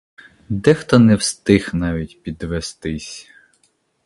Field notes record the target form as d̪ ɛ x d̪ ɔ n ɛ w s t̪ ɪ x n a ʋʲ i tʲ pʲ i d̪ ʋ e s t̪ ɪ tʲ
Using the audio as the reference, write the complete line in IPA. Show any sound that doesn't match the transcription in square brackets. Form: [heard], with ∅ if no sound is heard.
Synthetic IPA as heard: d̪ ɛ x [t̪] ɔ n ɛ w s t̪ ɪ x n [ɑ] ʋʲ i tʲ pʲ i d̪ ʋ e s t̪ ɪ [sʲ]